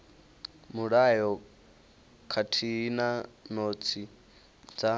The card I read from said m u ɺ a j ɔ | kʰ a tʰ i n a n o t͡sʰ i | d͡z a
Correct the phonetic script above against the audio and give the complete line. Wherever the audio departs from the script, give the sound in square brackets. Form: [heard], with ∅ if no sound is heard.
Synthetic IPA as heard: m u ɺ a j ɔ | kʰ a tʰ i n a n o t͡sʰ i | d͡z a